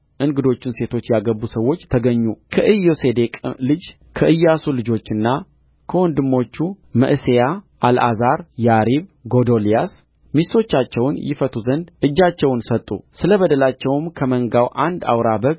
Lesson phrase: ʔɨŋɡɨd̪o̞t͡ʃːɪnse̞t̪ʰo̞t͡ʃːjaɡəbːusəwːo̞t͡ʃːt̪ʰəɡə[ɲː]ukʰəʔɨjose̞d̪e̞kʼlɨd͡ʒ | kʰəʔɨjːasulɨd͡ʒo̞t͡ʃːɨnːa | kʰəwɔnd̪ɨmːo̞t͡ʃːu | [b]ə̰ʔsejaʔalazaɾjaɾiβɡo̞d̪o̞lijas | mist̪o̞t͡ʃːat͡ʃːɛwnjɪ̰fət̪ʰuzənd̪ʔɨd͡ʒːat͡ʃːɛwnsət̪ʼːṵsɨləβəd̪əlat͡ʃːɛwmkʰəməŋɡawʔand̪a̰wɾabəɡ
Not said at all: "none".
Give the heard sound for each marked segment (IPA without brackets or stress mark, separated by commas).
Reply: ɲː, m